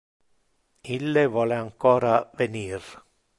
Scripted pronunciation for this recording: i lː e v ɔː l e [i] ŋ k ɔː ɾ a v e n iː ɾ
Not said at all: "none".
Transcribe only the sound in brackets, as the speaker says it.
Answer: a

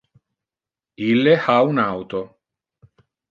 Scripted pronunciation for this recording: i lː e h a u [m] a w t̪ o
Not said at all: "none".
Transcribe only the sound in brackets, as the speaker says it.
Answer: n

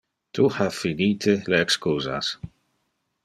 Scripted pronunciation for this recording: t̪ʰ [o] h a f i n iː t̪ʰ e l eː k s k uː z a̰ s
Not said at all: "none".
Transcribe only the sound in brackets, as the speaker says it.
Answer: u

